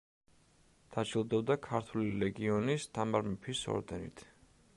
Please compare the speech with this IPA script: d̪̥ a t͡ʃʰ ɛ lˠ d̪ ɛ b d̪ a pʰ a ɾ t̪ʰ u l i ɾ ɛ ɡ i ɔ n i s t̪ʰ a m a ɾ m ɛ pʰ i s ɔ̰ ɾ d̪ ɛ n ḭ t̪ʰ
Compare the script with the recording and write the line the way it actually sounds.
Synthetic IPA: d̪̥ a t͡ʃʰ i lˠ d̪ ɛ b d̪ a kʰ a ɾ t̪ʰ u l i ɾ ɛ ɡ i ɔ n i s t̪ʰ a m a ɾ m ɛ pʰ i s ɔ̰ ɾ d̪ ɛ n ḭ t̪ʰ